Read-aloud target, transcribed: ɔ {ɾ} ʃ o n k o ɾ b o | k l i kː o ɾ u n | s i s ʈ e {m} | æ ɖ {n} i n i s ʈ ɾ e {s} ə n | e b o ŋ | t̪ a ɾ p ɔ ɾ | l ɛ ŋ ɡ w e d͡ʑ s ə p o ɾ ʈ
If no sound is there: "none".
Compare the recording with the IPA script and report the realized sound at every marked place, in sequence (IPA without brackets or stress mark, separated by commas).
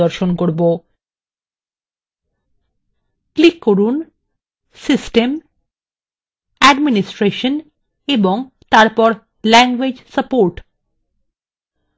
ɾ, m, m, ʃ